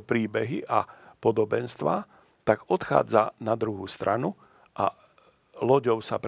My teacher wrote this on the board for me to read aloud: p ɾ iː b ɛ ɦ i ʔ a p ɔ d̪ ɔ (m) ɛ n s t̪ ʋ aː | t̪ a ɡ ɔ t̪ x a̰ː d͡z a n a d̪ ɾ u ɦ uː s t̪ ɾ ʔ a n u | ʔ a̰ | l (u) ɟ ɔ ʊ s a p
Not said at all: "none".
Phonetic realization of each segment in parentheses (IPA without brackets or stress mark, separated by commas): b, ɔ